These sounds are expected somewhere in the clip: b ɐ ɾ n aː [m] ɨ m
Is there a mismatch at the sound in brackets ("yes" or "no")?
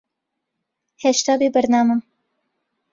no